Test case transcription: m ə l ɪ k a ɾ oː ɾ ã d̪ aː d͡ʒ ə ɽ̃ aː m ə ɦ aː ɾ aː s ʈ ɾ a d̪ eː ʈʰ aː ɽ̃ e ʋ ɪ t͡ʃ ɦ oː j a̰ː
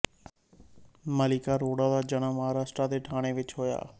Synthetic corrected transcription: m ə l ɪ k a ɾ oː ɽ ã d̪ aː d͡ʒ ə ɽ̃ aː m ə ɦ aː ɾ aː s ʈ ɾ a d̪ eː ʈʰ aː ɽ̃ e ʋ ɪ t͡ʃ ɦ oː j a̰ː